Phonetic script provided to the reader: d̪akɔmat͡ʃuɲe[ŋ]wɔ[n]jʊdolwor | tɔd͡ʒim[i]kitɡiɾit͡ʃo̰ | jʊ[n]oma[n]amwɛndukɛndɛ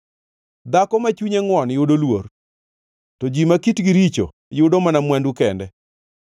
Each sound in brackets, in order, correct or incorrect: correct, correct, incorrect, incorrect, correct

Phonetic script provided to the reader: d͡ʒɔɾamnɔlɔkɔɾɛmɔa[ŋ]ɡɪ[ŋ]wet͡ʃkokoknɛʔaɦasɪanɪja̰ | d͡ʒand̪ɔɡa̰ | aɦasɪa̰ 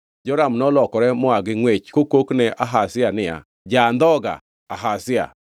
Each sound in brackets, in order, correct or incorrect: incorrect, correct

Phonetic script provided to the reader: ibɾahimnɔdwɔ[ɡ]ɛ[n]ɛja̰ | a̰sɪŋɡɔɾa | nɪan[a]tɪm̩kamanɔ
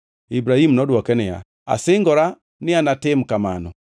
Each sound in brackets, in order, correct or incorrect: incorrect, correct, correct

